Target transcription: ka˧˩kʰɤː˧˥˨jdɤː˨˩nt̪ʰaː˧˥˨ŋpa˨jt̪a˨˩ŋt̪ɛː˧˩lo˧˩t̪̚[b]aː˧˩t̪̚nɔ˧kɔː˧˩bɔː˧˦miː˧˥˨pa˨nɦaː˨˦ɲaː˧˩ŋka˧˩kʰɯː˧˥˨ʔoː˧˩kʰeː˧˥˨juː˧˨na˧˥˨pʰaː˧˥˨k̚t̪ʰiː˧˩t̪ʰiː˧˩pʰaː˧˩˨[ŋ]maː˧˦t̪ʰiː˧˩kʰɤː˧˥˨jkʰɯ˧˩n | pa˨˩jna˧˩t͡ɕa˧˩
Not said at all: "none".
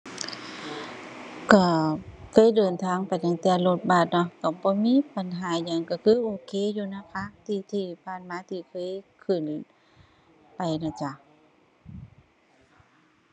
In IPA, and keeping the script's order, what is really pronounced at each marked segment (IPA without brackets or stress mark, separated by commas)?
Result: b, n